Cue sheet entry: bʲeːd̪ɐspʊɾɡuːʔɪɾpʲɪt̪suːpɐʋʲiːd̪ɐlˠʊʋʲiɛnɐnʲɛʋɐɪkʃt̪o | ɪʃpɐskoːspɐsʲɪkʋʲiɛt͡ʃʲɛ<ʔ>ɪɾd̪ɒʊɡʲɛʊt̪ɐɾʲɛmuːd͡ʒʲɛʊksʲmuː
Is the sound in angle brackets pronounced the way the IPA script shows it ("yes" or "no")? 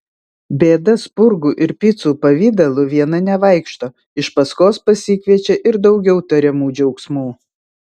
yes